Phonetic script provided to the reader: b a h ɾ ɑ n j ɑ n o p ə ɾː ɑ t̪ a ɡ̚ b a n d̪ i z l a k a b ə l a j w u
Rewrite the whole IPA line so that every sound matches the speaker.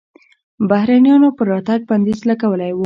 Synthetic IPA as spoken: b a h ɾ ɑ n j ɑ n o p ə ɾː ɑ t̪ a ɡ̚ b a n d̪ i z l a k a w ə l a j w u

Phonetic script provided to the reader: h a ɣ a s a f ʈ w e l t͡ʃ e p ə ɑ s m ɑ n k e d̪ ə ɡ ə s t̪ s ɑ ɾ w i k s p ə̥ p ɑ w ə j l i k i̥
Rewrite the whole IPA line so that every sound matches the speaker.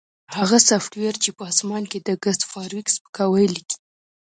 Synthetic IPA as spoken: h a ɣ a s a f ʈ w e ɾ t͡ʃ e p ə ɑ s m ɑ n k e d̪ ə ɡ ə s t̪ f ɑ ɾ w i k s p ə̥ k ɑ w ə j l i k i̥

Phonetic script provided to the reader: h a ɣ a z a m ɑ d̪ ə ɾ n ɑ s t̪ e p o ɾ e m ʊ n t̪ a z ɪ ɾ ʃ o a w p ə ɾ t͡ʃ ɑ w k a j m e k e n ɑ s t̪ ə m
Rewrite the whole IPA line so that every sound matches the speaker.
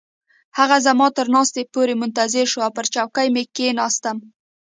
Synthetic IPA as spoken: h a ɣ a z a m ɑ t̪ ə ɾ n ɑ s t̪ e p o ɾ e m ʊ n t̪ a z ɪ ɾ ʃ o a w p ə ɾ t͡ʃ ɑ w k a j m e k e n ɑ s t̪ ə m

